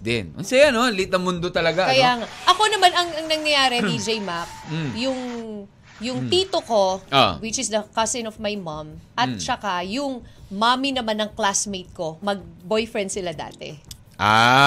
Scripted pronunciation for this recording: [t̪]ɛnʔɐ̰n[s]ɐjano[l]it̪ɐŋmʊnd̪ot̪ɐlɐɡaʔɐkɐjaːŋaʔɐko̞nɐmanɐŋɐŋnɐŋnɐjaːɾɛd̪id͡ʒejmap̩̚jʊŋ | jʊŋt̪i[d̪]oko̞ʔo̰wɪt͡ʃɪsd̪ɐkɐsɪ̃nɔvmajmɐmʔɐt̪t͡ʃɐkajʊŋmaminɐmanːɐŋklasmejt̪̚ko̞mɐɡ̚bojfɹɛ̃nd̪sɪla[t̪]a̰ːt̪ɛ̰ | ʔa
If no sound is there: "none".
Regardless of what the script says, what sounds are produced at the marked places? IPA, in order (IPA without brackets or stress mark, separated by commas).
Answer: d̪, s, l, t̪, d̪